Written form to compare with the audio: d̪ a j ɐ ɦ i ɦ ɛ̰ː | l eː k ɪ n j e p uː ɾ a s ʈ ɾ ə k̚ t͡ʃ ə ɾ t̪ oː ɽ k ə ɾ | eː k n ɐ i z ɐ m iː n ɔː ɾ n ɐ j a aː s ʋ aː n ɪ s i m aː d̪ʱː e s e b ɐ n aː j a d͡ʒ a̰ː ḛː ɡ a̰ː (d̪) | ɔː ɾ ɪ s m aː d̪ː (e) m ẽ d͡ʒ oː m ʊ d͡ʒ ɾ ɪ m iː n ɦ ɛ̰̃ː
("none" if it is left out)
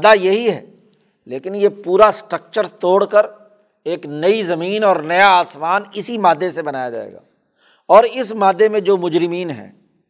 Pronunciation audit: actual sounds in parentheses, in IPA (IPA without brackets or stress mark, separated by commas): none, e